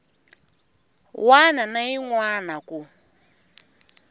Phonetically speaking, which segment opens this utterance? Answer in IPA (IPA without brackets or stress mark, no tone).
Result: w